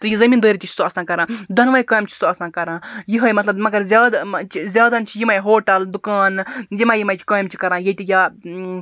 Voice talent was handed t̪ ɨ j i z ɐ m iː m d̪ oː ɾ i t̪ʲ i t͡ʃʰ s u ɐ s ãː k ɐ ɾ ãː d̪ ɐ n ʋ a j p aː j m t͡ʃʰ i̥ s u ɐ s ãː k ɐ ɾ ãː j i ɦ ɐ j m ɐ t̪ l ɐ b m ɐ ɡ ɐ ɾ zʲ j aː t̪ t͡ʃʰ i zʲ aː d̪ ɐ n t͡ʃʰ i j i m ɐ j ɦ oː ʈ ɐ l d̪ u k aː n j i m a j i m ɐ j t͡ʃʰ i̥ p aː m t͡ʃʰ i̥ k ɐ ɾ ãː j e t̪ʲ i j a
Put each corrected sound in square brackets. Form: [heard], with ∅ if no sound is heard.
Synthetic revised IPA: t̪ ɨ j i z ɐ m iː [n] d̪ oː ɾ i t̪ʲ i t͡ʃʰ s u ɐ s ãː k ɐ ɾ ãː d̪ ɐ n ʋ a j [k] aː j m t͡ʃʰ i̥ s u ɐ s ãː k ɐ ɾ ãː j i ɦ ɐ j m ɐ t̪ l ɐ b m ɐ ɡ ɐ ɾ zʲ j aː [d̪] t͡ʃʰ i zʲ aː d̪ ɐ n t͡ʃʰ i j i m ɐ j ɦ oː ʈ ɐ l d̪ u k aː n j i m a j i m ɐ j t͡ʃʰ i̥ [k] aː m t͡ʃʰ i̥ k ɐ ɾ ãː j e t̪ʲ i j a